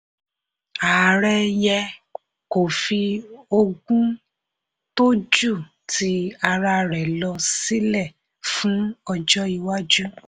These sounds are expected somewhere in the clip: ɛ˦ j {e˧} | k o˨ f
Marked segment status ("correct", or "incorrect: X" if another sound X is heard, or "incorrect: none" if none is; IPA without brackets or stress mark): incorrect: ɛ˧